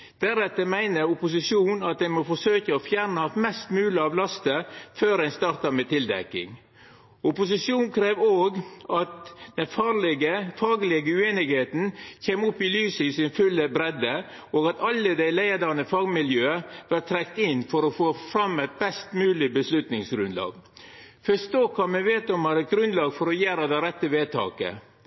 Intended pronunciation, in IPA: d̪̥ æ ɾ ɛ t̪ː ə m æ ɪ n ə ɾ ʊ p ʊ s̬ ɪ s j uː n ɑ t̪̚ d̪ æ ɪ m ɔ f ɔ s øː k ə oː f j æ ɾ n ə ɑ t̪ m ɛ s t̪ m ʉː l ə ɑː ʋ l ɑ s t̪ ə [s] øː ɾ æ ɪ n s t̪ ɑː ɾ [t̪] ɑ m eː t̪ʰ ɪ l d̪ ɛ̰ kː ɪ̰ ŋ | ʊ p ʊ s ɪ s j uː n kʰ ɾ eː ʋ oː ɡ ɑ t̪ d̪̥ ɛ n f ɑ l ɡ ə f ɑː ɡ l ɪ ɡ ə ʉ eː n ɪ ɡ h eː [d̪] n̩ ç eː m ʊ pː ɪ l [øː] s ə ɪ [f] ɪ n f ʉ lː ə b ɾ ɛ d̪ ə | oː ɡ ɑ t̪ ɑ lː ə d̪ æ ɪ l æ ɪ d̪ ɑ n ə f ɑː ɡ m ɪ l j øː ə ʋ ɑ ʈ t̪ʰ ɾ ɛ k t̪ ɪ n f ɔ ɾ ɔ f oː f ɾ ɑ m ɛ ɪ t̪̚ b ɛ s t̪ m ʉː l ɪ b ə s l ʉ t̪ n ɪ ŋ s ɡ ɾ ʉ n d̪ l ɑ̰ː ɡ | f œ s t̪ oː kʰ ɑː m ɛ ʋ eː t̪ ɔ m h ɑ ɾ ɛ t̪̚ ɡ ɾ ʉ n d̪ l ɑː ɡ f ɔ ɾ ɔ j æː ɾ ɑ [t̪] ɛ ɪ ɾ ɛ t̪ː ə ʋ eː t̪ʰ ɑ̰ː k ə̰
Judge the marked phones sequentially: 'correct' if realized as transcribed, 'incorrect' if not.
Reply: incorrect: f, correct, incorrect: t̪, incorrect: yː, incorrect: s, incorrect: d̪

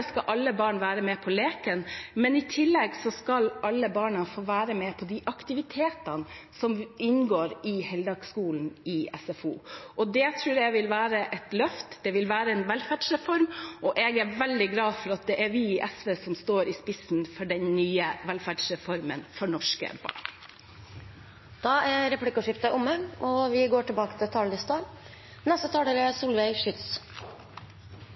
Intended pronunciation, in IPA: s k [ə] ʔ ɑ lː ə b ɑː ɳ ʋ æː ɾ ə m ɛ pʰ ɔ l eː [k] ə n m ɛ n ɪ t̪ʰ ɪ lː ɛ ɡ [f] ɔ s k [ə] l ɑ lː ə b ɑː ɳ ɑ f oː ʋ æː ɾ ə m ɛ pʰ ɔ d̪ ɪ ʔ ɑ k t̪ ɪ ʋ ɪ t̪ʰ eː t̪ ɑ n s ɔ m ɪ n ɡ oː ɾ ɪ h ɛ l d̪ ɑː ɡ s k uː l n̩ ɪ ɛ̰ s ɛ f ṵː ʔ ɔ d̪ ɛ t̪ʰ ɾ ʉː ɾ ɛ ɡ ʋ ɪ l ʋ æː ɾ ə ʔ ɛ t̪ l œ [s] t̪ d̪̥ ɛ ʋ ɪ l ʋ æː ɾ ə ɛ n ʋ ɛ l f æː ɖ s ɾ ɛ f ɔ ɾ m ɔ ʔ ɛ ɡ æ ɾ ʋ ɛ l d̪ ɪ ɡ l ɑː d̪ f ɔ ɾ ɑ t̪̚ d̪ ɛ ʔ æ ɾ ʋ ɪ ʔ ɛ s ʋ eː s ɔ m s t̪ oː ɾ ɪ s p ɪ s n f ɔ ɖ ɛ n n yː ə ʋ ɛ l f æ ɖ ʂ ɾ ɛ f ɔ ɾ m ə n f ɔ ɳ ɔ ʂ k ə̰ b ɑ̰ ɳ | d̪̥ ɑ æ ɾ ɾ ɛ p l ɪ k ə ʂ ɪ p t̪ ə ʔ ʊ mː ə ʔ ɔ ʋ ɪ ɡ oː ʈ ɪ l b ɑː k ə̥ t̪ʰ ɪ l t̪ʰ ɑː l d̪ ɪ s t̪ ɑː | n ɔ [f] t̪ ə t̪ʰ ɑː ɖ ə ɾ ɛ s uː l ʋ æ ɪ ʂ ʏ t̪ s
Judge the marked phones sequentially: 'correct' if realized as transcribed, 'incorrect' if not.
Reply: incorrect: ɑ, correct, incorrect: s, incorrect: ɑ, incorrect: f, incorrect: s

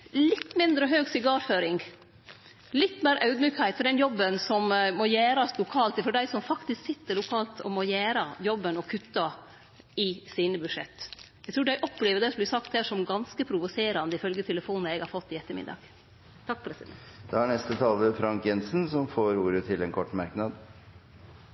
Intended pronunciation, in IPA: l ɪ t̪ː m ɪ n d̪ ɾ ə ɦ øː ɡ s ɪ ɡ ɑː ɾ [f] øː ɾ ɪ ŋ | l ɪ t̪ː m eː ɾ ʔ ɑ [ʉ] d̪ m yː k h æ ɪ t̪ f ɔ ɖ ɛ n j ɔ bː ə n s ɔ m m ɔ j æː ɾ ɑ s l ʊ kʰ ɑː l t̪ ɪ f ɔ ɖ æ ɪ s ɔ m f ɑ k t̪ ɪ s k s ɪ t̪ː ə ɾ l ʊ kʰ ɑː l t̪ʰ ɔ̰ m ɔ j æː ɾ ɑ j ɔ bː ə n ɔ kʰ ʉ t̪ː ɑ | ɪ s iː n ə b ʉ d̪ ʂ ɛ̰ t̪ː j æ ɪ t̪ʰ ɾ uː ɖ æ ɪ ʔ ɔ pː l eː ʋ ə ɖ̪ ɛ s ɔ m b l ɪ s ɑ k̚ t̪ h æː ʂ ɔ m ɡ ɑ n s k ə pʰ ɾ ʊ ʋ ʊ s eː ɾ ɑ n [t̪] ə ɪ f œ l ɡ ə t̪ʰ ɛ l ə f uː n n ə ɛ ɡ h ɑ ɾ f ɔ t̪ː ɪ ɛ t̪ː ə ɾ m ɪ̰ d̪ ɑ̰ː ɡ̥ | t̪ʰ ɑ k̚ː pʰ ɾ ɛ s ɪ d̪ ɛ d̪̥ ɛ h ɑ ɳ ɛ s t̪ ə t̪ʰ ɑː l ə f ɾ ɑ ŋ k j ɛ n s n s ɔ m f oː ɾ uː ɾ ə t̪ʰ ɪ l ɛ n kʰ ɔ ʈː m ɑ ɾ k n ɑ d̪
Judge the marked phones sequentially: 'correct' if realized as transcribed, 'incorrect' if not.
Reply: correct, correct, incorrect: d̪

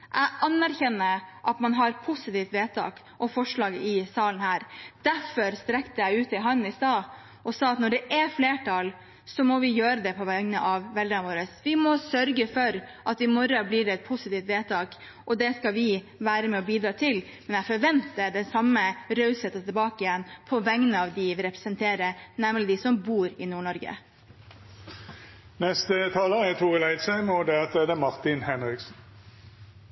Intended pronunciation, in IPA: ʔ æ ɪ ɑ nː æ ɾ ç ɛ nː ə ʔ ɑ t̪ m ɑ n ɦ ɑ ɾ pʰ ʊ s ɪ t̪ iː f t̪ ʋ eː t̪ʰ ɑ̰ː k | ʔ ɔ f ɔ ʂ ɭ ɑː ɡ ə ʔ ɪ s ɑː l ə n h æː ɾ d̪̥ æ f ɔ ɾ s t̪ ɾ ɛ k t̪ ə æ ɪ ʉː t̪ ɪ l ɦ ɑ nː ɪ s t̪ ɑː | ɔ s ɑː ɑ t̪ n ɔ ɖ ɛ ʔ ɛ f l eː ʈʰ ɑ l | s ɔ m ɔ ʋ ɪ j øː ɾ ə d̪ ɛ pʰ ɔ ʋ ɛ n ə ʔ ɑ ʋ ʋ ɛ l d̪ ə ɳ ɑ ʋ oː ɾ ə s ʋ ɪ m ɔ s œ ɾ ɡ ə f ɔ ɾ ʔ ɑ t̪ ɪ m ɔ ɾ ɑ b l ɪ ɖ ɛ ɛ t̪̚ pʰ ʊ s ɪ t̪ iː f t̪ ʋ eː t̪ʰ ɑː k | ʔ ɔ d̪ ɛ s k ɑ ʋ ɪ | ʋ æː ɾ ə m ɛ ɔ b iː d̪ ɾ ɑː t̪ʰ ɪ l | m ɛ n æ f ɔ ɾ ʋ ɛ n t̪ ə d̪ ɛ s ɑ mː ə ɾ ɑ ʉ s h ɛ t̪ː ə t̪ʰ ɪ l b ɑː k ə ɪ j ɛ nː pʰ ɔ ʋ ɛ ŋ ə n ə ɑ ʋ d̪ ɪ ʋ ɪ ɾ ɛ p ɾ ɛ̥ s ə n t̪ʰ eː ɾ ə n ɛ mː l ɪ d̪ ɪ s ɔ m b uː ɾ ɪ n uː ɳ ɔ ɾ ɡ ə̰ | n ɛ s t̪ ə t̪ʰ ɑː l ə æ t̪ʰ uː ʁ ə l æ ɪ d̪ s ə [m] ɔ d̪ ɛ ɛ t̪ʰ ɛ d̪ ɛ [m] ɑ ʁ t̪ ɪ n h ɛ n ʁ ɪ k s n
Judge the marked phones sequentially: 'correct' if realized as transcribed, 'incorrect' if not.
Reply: correct, correct

